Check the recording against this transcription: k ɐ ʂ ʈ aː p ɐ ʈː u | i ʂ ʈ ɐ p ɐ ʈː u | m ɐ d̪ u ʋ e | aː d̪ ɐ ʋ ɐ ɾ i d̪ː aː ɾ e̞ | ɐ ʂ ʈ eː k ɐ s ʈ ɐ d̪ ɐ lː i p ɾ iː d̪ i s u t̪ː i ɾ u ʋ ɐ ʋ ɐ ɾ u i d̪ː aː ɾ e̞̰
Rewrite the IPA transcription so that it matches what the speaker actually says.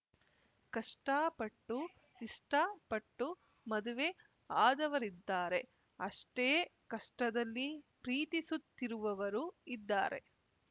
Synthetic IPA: k ɐ ʂ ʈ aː p ɐ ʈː u | i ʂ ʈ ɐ p ɐ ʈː u | m ɐ d̪ u ʋ e | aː d̪ ɐ ʋ ɐ ɾ i d̪ː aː ɾ e̞ | ɐ ʂ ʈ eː k ɐ ʂ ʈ ɐ d̪ ɐ lː i p ɾ iː t̪ i s u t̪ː i ɾ u ʋ ɐ ʋ ɐ ɾ u i d̪ː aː ɾ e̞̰